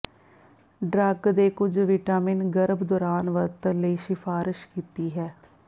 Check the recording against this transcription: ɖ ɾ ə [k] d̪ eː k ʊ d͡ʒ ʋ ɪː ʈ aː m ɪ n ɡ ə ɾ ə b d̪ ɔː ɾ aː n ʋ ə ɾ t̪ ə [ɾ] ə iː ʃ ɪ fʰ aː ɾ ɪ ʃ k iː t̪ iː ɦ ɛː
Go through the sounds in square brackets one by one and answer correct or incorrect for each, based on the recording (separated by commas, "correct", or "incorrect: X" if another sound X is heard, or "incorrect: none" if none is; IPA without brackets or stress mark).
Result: incorrect: ɡ, incorrect: l